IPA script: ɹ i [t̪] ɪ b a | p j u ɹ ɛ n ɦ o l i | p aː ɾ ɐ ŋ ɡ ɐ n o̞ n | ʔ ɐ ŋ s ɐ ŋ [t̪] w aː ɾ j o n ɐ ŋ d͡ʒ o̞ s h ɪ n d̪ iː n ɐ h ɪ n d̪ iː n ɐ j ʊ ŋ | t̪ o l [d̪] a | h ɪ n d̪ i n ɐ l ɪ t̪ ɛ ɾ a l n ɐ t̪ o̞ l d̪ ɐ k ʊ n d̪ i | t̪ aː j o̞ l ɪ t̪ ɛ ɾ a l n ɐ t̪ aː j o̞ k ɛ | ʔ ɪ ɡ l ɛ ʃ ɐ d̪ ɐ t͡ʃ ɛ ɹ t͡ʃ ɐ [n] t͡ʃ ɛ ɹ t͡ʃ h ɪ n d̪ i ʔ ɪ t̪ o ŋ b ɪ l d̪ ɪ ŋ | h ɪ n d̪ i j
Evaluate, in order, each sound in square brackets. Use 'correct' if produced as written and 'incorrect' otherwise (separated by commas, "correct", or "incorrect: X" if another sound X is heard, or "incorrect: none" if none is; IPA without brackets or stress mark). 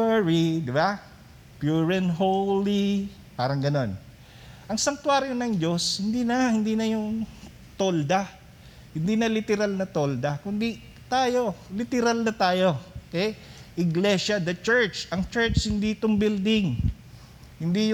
incorrect: d̪, correct, correct, incorrect: ŋ